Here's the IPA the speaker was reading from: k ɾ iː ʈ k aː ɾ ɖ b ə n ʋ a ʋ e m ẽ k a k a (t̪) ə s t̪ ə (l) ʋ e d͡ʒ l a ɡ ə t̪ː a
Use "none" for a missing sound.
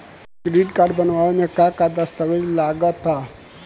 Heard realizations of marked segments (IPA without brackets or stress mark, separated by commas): d̪, none